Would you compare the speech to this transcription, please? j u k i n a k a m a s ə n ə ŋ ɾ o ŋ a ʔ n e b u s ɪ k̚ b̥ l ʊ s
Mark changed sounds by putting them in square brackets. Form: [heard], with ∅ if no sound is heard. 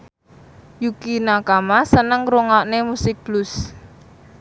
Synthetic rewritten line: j u k i n a k a m a s ə n ə ŋ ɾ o ŋ a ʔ n e [m] u s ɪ k̚ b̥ l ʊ s